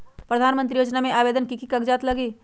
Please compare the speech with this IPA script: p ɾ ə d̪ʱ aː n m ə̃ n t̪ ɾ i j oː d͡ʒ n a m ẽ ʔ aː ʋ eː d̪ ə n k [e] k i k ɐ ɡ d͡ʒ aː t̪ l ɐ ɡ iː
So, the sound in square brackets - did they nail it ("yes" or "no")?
no